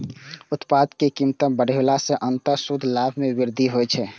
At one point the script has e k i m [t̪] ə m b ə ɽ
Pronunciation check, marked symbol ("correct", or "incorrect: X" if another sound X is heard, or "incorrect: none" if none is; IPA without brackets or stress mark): correct